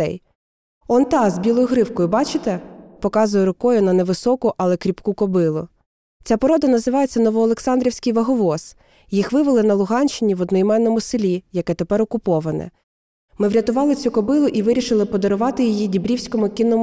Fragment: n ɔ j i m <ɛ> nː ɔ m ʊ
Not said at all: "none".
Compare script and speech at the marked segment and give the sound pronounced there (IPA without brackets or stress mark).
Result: ɛ